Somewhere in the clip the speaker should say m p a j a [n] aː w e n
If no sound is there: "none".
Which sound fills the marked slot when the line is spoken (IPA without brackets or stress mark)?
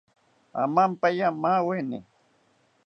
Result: m